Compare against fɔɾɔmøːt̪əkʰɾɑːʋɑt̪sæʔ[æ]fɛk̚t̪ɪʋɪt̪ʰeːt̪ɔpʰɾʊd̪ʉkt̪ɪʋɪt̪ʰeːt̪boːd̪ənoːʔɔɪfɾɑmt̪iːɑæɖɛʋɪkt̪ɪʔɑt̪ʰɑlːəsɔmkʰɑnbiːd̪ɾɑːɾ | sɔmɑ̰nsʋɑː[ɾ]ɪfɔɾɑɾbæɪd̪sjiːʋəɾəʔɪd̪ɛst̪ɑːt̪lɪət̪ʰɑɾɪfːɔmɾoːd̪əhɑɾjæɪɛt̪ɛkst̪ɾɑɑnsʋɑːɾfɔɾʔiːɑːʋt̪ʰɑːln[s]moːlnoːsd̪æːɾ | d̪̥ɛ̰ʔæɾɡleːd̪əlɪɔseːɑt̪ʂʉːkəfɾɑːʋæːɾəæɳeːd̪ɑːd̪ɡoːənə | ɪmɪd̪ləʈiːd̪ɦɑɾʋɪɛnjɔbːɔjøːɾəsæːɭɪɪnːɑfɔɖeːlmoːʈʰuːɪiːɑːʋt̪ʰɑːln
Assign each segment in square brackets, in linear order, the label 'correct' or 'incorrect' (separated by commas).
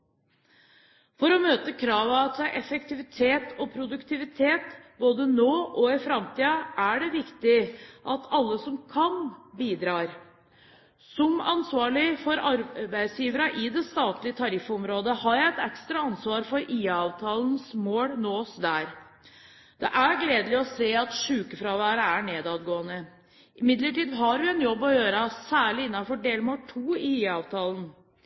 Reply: incorrect, incorrect, correct